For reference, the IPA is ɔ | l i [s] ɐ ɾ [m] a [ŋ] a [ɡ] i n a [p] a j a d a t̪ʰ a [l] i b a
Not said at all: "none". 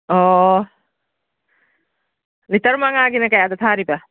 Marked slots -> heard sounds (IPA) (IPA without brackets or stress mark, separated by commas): t, m, ŋ, ɡ, k, ɾ